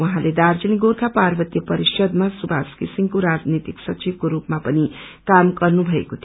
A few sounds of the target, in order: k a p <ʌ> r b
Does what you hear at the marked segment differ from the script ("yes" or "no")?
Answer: yes